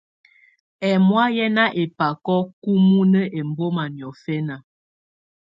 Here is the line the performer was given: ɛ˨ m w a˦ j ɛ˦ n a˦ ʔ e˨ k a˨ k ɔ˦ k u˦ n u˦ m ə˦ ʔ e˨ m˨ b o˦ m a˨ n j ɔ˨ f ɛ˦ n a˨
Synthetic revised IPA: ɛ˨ m w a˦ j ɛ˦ n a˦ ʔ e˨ p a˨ k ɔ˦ k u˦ m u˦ n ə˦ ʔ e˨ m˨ b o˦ m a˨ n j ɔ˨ f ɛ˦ n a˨